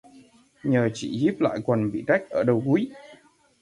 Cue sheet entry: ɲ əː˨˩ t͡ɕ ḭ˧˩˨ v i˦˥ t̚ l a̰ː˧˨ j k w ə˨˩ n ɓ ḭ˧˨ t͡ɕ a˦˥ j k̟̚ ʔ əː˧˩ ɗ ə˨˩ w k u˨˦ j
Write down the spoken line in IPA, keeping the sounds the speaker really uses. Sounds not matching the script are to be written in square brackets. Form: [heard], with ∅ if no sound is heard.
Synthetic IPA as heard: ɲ əː˨˩ t͡ɕ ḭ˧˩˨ [z] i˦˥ [p̚] l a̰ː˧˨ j k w ə˨˩ n ɓ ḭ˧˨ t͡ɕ a˦˥ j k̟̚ ʔ əː˧˩ ɗ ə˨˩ w k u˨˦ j